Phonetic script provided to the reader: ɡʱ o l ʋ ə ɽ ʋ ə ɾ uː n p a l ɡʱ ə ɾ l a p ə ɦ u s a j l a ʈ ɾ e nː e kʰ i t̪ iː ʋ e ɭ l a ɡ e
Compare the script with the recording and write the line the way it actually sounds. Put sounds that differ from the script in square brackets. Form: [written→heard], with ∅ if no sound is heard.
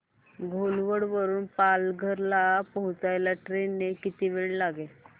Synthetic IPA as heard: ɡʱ o l ʋ ə ɽ ʋ ə ɾ uː n p a l ɡʱ ə ɾ l a p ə ɦ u [s→t͡s] a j l a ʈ ɾ e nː e [kʰ→k] i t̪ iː ʋ e ɭ l a ɡ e